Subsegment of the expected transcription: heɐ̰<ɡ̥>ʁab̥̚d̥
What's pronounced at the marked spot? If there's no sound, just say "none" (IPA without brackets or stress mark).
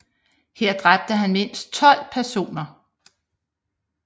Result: d̥